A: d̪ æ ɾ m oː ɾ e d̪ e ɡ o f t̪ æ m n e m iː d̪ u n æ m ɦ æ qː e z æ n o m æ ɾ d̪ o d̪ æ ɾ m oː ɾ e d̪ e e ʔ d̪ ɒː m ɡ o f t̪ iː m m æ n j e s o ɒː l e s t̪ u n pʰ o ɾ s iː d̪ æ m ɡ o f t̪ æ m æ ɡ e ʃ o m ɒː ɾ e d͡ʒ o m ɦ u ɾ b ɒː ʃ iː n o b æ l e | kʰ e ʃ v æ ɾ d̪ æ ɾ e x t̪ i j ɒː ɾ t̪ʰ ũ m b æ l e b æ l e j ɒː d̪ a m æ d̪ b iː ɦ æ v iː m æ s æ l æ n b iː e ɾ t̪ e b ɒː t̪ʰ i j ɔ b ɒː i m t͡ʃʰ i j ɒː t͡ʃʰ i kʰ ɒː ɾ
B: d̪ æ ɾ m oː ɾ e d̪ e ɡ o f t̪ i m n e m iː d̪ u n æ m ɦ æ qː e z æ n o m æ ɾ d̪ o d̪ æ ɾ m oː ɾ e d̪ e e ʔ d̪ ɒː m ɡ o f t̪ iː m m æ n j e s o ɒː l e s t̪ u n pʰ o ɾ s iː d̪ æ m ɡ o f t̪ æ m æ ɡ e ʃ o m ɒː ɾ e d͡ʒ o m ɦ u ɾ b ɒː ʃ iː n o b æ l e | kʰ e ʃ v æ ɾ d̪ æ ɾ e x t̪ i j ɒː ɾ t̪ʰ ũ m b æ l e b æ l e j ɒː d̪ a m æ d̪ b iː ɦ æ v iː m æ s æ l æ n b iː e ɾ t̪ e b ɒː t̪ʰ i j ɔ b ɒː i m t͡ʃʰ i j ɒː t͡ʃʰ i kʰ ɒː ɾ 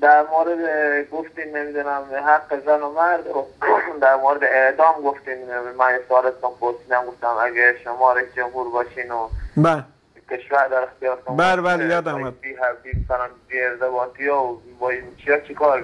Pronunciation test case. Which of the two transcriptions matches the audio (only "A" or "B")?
B